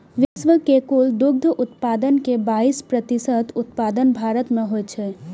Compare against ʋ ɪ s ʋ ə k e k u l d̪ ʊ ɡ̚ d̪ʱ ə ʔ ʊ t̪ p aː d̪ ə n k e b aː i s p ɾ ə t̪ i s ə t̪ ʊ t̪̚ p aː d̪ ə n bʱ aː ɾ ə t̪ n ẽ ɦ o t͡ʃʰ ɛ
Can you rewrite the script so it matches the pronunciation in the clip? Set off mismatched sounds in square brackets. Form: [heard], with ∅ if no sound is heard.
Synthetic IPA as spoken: ʋ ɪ s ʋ ə k e k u l d̪ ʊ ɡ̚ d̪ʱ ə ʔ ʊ t̪ p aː d̪ ə n k e b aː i s p ɾ ə t̪ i s ə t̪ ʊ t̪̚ p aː d̪ ə n bʱ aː ɾ ə t̪ [m] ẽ ɦ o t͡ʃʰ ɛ